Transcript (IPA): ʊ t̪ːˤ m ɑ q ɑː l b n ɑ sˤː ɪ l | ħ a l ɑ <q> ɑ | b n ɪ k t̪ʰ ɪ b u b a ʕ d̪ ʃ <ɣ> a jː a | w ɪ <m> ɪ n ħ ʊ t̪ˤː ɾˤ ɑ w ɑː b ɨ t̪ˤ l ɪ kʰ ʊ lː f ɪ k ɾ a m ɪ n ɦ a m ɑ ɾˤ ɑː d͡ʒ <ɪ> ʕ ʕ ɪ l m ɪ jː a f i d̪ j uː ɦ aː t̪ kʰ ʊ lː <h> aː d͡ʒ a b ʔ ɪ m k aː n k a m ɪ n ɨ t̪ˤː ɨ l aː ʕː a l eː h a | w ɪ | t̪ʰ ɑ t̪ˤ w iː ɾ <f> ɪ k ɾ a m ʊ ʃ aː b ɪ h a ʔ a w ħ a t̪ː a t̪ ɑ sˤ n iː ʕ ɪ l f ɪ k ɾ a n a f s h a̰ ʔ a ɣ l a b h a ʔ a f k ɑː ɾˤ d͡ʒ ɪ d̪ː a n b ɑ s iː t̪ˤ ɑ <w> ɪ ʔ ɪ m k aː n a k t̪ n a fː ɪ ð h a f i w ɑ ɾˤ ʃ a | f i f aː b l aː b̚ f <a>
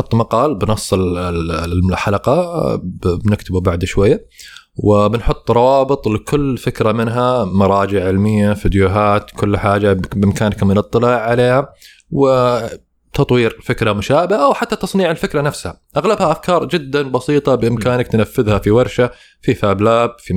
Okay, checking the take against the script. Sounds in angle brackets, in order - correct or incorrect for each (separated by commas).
correct, incorrect, incorrect, correct, incorrect, correct, incorrect, incorrect